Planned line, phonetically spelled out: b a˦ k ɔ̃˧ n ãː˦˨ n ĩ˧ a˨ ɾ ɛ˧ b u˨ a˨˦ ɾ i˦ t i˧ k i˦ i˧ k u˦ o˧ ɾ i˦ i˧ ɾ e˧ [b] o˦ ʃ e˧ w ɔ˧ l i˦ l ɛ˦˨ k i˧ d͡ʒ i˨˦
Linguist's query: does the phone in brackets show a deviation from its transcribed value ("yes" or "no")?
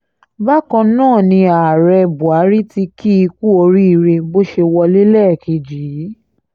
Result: no